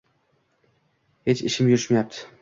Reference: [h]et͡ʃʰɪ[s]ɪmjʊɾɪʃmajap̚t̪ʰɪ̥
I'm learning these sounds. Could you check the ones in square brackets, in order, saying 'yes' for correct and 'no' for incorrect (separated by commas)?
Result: yes, no